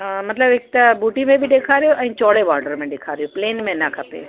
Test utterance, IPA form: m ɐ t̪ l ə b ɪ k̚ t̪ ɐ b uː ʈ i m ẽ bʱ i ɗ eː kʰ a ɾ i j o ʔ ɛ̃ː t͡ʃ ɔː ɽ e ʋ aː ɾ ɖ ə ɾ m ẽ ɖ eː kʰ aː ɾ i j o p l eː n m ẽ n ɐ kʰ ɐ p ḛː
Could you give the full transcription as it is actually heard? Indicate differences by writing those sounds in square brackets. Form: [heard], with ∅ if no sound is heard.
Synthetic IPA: m ɐ t̪ l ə b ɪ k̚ t̪ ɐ b uː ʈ i m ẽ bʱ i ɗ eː kʰ a ɾ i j o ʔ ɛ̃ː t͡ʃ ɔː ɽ e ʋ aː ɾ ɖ ə ɾ m ẽ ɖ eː kʰ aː ɾ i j o p l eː n m ẽ n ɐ kʰ ɐ p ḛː